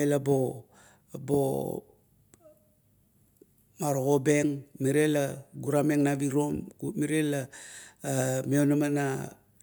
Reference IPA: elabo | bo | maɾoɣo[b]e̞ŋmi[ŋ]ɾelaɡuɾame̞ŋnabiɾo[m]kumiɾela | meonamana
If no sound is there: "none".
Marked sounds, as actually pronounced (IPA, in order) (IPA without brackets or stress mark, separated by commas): b, none, m